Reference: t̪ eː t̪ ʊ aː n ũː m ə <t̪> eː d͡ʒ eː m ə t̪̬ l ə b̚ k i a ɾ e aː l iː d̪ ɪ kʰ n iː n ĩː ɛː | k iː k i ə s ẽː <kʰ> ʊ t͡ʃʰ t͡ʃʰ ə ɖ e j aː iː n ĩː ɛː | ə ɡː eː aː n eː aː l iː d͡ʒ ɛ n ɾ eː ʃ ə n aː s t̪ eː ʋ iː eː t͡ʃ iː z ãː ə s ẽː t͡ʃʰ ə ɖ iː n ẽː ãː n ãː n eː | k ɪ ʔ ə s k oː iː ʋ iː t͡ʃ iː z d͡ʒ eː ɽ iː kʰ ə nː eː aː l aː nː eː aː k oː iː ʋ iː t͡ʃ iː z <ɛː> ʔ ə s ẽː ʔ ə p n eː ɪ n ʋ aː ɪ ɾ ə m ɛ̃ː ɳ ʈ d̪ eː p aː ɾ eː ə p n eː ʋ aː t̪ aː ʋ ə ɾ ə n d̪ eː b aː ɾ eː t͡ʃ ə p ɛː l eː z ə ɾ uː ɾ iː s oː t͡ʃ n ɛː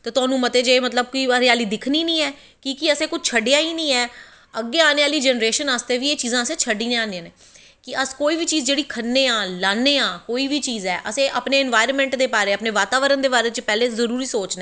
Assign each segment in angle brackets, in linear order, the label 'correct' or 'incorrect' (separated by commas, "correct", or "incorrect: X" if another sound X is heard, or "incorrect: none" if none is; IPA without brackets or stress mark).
correct, incorrect: k, correct